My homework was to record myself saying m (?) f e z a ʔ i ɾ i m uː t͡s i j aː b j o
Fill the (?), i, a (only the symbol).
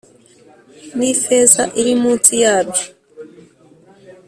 i